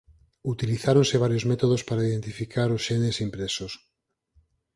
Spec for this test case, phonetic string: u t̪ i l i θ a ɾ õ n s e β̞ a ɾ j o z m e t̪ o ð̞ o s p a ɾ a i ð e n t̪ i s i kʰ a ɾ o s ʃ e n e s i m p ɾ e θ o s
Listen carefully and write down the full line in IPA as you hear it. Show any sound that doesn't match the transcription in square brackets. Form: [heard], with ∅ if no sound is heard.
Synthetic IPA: u t̪ i l i θ a ɾ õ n s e β̞ a ɾ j o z m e t̪ o ð̞ o s p a ɾ a i ð e n t̪ i [f] i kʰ a ɾ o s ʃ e n e s i m p ɾ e [s] o s